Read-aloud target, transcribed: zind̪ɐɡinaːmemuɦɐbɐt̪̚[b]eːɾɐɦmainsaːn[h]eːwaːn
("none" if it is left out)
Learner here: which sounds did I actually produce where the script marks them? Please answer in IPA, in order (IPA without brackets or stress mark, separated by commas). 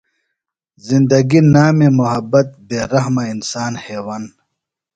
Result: b, h